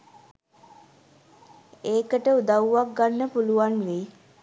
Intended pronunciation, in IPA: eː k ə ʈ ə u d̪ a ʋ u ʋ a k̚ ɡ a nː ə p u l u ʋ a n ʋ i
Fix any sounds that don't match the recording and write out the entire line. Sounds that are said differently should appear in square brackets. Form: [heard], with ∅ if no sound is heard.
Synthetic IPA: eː k ə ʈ ə u d̪ a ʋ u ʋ a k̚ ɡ a nː ə p u l u ʋ a n ʋ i